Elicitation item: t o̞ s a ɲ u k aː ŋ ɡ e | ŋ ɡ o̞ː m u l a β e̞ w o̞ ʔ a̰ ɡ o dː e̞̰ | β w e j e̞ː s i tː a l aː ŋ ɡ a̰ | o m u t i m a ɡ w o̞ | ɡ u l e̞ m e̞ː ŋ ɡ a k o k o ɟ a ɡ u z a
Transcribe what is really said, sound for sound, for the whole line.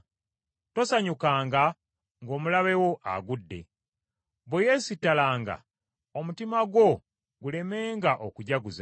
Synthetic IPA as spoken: t o̞ s a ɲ u k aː ŋ ɡ a | ŋ ɡ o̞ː m u l a β e̞ w o̞ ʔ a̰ ɡ u dː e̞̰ | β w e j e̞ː s i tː a l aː ŋ ɡ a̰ | o m u t i m a ɡ w o̞ | ɡ u l e̞ m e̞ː ŋ ɡ a ʔ o k u ɟ a ɡ u z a

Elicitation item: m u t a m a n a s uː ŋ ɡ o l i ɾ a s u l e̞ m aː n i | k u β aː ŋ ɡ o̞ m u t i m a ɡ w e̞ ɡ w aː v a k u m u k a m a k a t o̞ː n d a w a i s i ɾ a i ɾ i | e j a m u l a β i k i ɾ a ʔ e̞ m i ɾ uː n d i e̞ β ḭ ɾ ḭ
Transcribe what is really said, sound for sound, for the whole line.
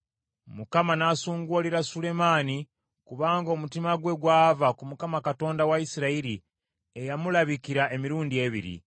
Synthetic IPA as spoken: m u k a m a n a s uː ŋ ɡ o l i ɾ a s u l e̞ m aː n i | k u β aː ŋ ɡ o̞ m u t i m a ɡ w e̞ ɡ w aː v a k u m u k a m a k a t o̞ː n d a w a i s i ɾ a i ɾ i | e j a m u l a β i k i ɾ a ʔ e̞ m i ɾ uː n d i e̞ β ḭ ɾ ḭ

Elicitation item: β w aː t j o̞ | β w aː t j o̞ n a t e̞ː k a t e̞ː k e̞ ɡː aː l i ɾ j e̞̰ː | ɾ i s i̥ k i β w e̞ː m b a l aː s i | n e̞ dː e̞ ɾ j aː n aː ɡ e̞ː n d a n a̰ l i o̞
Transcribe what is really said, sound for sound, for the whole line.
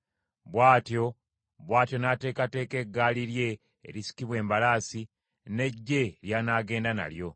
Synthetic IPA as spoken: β w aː t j o̞ | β w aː t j o̞ n a t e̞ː k a t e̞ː k e̞ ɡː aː l i ɾ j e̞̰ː | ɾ i s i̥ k i β w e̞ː m b a l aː s i | n e̞ ɟː e̞ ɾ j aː n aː ɡ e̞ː n d a n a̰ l j o̞

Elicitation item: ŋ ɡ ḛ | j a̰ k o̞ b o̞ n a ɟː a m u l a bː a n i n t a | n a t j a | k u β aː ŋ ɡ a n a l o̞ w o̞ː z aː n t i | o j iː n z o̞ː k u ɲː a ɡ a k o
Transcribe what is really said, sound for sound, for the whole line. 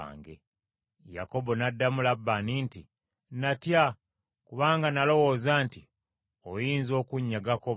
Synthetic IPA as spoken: ŋ ɡ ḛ | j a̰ k o̞ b o̞ n a dː a m u l a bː a n i n t i | n a t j a | k u β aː ŋ ɡ a n a l o̞ w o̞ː z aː n t i | o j iː n z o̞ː k u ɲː a ɡ a k o

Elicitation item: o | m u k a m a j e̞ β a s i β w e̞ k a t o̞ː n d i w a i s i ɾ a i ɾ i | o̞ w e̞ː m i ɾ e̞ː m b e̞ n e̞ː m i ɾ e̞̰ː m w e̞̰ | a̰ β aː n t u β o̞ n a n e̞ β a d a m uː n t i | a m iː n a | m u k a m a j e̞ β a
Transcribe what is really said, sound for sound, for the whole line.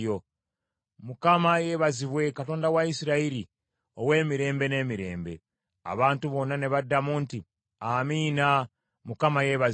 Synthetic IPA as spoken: o | m u k a m a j e̞ β a z i β w e̞ k a t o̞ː n d a w a i s i ɾ a i ɾ i | o̞ w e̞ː m i ɾ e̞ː m b e̞ n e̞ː m i ɾ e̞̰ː m b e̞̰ | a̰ β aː n t u β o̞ n a n e̞ β a d a m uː n t i | a m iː n a | m u k a m a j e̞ β a

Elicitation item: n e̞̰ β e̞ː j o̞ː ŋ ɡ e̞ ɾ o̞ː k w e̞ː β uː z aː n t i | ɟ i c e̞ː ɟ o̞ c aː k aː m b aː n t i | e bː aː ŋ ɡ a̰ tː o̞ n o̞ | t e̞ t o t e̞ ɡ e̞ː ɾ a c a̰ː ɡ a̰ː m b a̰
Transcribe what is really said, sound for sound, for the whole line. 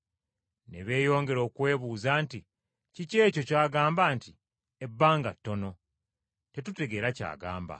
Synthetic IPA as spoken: n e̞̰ β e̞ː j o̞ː ŋ ɡ e̞ ɾ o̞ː k w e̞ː β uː z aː n t i | c i c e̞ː c o̞ c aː ɡ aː m b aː n t i | e bː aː ŋ ɡ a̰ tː o̞ n o̞ | t e̞ t u t e̞ ɡ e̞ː ɾ a c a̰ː ɡ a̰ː m b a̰

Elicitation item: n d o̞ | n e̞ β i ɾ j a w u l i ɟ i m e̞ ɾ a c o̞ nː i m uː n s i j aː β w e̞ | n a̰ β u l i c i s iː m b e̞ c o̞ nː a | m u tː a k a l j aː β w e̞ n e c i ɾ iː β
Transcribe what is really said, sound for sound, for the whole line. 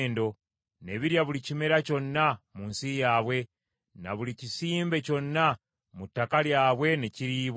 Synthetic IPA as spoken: n d o̞ | n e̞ β i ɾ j a β u l i c i m e̞ ɾ a c o̞ nː a m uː n s i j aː β w e̞ | n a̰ β u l i c i s iː m b e̞ c o̞ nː a | m u tː a k a l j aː β w e̞ n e c i ɾ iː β

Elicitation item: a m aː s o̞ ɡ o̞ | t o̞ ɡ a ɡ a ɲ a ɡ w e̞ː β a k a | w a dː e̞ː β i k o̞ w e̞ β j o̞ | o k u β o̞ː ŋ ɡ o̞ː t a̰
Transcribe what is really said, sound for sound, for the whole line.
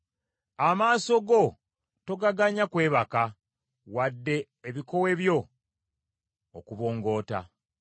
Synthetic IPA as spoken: a m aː s o̞ ɡ o̞ | t o̞ ɡ a ɡ a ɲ a k w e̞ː β a k a | w a dː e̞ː β i k o̞ w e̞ β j o̞ | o k u β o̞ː ŋ ɡ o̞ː t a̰

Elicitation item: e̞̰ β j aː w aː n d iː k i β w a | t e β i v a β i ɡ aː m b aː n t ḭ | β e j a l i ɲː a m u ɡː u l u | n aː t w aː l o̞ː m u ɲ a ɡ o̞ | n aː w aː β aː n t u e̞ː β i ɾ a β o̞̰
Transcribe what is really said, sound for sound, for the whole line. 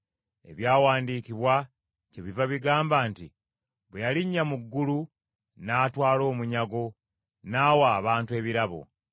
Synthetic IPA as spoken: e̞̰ β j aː w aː n d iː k i β w a | c e β i v a β i ɡ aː m b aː n t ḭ | β e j a l i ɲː a m u ɡː u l u | n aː t w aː l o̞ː m u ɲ a ɡ o̞ | n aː w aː β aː n t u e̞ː β i ɾ a β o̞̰

